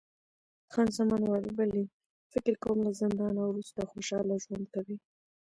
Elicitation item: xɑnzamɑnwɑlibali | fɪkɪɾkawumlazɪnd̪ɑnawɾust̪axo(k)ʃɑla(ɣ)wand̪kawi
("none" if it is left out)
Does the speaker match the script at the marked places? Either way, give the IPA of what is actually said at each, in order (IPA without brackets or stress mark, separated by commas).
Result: none, ʒ